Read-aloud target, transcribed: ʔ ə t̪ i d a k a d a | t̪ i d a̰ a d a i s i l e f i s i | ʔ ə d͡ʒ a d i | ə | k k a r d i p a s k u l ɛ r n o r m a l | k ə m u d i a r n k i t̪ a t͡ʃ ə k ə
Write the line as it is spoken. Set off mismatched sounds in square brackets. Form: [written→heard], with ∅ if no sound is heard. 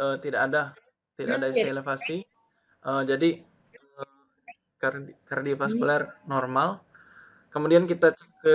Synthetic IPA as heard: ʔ ə t̪ i d a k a d a | t̪ i d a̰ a d a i s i l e f [i→a] s i | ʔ ə d͡ʒ a d i | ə | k k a r d i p a s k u l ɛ r n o r m a l | k ə m u d i a [r→∅] n k i t̪ a t͡ʃ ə k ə